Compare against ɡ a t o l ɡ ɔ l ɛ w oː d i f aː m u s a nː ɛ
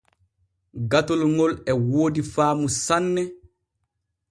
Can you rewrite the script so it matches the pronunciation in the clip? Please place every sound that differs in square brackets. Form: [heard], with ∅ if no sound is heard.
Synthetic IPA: ɡ a t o l [ŋ] ɔ l ɛ w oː d i f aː m u s a nː ɛ